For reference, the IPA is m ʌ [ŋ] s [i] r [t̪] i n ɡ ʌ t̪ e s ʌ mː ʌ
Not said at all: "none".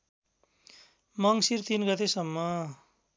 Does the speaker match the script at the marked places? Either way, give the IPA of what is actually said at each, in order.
ŋ, i, t̪

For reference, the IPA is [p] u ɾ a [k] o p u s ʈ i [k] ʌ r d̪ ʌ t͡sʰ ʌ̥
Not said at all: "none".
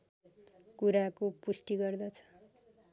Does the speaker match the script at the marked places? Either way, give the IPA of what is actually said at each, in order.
k, k, ɡ

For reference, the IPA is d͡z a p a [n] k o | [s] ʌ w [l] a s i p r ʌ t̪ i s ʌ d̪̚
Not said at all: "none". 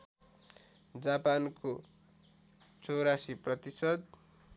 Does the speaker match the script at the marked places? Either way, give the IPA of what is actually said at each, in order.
n, t͡s, ɾ

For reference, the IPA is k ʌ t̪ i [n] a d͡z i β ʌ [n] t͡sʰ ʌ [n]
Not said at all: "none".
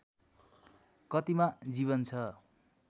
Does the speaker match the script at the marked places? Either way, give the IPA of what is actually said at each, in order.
m, n, none

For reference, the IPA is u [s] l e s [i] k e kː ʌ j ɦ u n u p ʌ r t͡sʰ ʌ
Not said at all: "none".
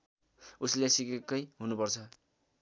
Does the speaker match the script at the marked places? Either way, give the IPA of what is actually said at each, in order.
s, i

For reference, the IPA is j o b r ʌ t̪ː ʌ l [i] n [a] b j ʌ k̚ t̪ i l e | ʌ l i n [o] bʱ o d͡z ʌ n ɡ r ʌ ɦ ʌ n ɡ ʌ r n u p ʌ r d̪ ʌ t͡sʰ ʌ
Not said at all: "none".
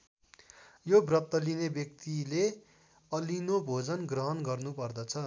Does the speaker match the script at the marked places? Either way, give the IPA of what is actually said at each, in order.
i, e, o

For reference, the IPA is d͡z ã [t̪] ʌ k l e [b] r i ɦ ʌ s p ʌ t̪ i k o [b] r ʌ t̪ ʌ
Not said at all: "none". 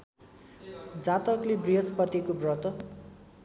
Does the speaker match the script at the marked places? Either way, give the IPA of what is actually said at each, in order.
t̪, b, b

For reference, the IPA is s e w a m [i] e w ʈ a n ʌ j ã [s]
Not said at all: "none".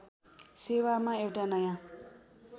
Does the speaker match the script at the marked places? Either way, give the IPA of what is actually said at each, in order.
a, none

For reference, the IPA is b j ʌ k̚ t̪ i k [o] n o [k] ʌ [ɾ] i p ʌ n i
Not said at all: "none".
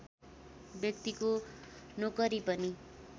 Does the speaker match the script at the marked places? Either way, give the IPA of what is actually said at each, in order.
o, k, ɾ

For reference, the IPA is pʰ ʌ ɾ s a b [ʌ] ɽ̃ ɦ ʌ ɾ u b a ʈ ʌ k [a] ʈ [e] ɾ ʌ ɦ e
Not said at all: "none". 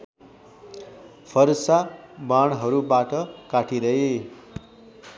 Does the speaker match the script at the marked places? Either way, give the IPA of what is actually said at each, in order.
a, a, i

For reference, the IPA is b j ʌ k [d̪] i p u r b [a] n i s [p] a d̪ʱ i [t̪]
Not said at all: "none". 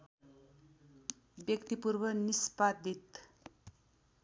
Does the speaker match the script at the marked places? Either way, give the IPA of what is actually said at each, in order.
t̪, ʌ, p, t̪

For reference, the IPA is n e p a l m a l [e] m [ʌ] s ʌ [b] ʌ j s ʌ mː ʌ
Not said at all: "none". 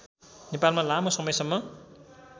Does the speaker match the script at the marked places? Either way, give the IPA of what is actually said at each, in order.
a, ʌ, m

